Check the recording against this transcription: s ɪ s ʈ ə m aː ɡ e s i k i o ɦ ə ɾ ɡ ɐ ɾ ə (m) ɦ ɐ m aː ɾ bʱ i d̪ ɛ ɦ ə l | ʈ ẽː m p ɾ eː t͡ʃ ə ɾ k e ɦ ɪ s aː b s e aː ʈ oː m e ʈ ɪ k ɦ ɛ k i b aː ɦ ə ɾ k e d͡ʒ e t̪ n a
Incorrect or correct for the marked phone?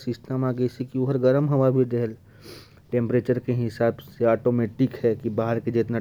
correct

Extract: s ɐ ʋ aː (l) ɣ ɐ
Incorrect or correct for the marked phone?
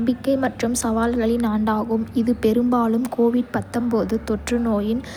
correct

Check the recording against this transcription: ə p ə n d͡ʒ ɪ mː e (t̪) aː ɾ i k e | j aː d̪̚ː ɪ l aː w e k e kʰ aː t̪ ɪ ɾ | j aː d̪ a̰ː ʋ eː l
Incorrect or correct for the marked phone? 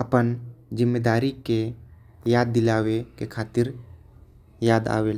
incorrect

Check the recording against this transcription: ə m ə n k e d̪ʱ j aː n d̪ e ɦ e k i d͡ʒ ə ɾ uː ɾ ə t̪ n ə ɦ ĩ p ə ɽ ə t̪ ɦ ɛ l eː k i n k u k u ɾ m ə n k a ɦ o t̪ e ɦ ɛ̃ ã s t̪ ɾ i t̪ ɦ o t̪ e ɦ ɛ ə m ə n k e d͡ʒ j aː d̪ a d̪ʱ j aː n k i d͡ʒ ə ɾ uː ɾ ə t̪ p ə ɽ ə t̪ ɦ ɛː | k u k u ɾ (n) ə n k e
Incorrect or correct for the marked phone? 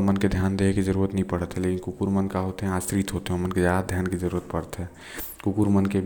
incorrect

